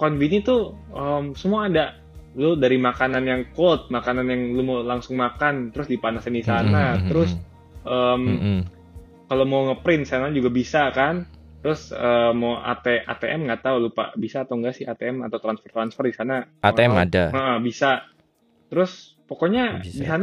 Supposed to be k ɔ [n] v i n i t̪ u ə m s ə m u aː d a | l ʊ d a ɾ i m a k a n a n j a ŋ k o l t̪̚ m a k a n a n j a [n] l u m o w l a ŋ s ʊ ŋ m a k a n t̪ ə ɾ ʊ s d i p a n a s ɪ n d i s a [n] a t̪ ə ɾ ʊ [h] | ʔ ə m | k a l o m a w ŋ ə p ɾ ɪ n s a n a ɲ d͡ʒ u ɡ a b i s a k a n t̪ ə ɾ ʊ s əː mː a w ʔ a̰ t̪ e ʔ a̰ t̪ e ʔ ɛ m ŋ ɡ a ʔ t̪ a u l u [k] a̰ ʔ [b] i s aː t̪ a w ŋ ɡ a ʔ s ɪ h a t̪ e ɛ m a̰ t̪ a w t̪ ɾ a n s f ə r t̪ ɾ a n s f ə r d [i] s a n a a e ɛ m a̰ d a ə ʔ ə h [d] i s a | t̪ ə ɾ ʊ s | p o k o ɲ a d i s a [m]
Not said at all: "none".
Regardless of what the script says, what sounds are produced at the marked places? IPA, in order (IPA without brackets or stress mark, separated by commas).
n, ŋ, n, s, p, b, i, b, n